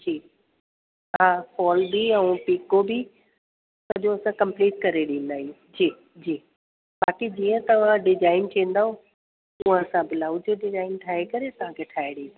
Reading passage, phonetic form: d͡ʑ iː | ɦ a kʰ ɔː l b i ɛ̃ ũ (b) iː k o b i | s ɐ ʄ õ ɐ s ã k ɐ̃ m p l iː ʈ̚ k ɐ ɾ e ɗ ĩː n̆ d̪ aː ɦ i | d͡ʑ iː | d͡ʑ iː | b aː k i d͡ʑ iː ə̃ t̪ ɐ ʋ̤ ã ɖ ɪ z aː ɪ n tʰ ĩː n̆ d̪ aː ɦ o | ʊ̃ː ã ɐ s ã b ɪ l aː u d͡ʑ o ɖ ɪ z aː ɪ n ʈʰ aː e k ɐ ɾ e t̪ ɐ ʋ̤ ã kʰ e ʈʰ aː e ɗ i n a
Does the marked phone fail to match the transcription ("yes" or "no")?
yes